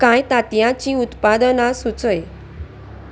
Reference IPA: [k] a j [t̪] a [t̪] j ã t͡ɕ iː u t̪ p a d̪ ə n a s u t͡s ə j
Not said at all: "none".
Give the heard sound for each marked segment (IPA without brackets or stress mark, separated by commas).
k, t̪, t̪